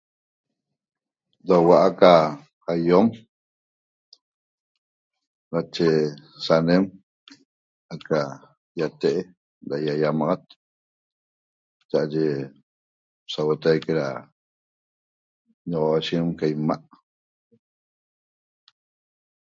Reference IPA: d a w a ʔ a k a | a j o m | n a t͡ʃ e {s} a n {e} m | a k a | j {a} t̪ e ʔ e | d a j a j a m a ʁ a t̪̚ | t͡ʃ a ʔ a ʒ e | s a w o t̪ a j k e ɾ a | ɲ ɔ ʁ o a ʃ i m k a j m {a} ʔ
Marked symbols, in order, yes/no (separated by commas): yes, yes, yes, yes